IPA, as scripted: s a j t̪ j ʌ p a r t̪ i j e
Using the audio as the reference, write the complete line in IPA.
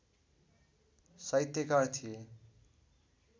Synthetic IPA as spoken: s ʌ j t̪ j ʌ k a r t̪ʰ i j e